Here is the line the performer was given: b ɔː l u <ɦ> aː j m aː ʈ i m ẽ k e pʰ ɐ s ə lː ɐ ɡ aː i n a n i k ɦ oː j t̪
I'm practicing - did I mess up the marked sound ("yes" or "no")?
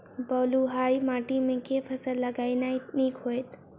no